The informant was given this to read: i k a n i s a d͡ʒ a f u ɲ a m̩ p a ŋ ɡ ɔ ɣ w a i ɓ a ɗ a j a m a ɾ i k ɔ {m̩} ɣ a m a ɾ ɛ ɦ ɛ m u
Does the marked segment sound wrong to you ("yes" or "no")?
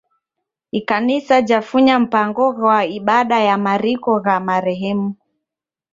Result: yes